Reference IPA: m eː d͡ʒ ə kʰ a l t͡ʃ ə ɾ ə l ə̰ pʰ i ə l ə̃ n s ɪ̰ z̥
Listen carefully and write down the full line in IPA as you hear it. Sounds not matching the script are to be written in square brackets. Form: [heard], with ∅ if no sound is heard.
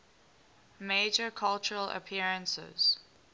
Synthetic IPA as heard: m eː d͡ʒ ə kʰ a l t͡ʃ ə [ɹ] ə l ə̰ pʰ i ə [ɹ] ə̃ n s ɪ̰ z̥